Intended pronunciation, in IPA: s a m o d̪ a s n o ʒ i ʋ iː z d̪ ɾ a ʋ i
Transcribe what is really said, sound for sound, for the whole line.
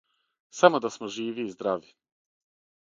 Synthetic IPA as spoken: s a m o d̪ a s m o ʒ iː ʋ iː z d̪ ɾ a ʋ i